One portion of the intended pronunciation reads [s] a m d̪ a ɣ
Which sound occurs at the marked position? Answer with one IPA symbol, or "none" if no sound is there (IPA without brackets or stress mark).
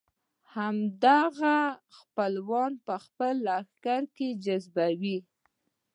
h